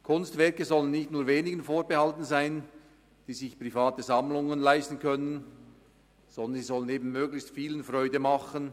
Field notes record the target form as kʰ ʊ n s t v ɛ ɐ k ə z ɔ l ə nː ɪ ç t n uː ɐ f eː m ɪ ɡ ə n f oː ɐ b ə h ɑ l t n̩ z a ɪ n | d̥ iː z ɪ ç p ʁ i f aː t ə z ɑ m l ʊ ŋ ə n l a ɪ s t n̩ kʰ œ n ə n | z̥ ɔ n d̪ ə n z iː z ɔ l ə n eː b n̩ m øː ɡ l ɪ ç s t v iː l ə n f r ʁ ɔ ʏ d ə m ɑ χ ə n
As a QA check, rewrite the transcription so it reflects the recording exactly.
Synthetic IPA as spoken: kʰ ʊ n s t v ɛ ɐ k ə z ɔ l ə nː ɪ ç t n uː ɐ v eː n ɪ ɡ ə n f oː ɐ b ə h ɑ l t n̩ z a ɪ n | d̥ iː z ɪ ç p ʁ i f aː t ə z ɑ m l ʊ ŋ ə n l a ɪ s t n̩ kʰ œ n ə n | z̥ ɔ n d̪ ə n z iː z ɔ l ə n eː b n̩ m øː ɡ l ɪ ç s t f iː l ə n f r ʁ ɔ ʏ d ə m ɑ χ ə n